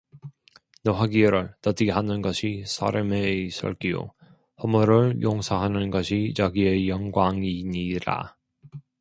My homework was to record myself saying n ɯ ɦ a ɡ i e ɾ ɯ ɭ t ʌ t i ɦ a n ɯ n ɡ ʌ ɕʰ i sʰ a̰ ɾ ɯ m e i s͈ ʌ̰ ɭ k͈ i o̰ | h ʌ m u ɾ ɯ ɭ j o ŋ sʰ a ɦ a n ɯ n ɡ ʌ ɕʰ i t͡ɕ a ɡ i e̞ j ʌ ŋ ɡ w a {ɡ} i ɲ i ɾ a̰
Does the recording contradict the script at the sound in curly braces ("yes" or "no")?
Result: yes